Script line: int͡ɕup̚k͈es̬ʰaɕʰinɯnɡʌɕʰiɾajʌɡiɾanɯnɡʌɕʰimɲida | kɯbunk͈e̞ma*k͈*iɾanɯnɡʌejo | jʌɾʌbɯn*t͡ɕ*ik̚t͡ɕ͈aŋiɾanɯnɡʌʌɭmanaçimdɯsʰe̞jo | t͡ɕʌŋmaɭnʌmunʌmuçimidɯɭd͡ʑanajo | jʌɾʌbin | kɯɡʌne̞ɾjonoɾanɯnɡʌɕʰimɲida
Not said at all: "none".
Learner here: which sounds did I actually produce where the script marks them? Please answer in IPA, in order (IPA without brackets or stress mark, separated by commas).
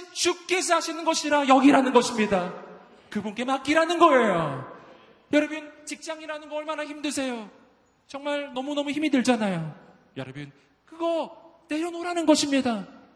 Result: k͈, t͡ɕ